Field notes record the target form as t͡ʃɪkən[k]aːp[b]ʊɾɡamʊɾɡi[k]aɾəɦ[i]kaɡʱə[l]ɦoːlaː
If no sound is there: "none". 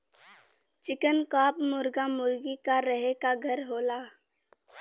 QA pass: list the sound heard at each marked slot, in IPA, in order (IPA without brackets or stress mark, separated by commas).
k, m, k, e, ɾ